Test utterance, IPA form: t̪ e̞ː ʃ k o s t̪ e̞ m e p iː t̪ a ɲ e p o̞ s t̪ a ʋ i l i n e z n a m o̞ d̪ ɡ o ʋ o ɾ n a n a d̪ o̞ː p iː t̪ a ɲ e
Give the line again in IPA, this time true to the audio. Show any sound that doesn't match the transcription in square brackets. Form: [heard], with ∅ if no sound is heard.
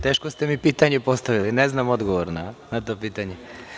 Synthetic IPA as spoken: t̪ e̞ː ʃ k o s t̪ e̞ m [i] p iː t̪ a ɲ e p o̞ s t̪ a ʋ i l i n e z n a m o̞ d̪ ɡ o ʋ o ɾ n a n a [t̪] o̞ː p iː t̪ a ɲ e